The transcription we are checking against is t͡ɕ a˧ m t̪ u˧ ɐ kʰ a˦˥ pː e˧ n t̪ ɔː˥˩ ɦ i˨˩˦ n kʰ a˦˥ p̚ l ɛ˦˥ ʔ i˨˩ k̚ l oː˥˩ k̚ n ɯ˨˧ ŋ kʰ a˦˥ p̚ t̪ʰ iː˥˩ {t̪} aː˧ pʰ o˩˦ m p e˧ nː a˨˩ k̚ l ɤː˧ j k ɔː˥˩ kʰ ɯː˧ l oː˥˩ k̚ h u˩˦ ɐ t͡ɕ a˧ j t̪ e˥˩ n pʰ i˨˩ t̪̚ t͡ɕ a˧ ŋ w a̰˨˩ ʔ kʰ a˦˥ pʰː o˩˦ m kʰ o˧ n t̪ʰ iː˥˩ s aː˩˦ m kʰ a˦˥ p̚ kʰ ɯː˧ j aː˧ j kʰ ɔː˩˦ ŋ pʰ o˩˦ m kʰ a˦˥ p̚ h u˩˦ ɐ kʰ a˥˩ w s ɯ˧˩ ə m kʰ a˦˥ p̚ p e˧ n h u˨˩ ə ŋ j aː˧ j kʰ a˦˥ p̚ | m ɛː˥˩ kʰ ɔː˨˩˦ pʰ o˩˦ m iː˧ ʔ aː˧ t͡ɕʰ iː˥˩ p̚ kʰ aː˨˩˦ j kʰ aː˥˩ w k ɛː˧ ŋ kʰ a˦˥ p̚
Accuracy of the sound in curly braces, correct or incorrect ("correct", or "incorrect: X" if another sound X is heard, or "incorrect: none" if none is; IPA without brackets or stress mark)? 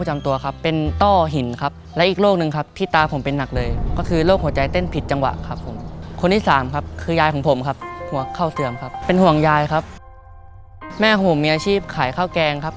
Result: correct